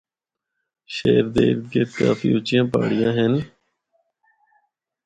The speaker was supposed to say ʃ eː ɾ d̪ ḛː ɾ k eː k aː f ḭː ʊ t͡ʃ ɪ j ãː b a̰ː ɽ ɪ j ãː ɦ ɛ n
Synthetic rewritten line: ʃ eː ɾ d̪ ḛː ɾ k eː k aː f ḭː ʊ t͡ʃ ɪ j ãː p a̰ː ɽ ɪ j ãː ɦ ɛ n